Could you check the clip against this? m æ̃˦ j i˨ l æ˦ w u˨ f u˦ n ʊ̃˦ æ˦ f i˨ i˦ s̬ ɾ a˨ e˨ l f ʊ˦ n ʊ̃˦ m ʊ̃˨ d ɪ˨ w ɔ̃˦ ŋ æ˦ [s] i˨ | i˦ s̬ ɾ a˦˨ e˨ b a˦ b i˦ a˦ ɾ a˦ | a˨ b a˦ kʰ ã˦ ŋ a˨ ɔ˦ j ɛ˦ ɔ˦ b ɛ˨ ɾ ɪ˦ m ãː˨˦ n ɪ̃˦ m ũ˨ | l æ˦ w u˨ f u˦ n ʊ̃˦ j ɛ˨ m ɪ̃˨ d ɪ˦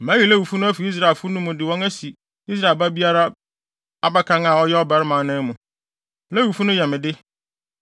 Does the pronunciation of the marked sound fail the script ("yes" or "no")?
no